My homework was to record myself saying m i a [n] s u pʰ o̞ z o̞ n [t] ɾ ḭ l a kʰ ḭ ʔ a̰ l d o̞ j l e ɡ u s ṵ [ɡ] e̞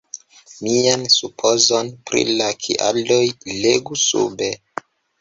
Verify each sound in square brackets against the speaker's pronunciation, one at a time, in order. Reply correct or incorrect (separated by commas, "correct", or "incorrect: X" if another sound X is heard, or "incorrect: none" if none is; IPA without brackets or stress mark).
correct, incorrect: p, incorrect: b